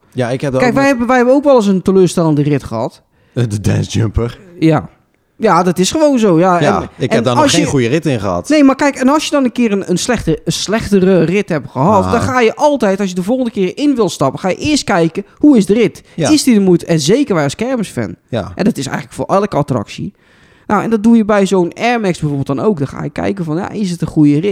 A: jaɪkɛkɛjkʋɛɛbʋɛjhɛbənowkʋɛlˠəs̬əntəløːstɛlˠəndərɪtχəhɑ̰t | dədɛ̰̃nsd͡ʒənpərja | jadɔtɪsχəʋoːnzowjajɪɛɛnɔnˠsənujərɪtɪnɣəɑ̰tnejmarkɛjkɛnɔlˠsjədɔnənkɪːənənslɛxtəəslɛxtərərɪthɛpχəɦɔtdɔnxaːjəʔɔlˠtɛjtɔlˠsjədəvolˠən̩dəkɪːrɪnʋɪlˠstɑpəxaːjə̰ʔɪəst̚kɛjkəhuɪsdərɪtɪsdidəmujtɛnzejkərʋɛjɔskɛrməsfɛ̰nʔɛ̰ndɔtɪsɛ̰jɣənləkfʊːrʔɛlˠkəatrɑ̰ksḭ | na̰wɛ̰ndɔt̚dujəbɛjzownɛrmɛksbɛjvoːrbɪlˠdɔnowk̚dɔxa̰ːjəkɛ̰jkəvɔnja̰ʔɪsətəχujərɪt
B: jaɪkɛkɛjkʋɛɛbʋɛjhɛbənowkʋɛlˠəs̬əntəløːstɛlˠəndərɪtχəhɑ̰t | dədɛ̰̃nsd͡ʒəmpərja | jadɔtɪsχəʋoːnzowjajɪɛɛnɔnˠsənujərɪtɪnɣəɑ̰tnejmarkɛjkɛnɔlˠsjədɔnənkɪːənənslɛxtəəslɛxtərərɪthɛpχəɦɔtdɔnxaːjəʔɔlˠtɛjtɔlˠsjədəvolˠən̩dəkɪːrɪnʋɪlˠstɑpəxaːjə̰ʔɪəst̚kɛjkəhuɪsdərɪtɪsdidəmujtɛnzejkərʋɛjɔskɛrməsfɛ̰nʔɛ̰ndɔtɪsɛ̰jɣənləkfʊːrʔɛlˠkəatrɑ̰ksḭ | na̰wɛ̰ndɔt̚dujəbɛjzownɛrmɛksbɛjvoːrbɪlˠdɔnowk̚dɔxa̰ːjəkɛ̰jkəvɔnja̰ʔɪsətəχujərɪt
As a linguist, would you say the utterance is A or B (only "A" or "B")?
B